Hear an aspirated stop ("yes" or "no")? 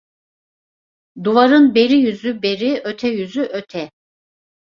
yes